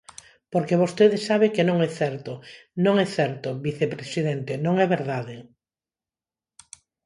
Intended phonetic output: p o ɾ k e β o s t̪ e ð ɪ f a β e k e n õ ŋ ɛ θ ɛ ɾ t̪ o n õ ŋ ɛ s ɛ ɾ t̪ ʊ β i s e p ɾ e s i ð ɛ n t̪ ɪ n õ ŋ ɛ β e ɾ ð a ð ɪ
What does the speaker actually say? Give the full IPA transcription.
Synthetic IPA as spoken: p o ɾ k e β o s t̪ e ð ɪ s a β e k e n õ ŋ ɛ θ ɛ ɾ t̪ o n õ ŋ ɛ θ ɛ ɾ t̪ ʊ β i θ e p ɾ e s i ð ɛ n t̪ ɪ n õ ŋ ɛ β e ɾ ð a ð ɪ